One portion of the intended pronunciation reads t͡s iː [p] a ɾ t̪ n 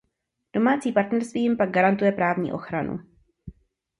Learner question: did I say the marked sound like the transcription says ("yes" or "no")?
yes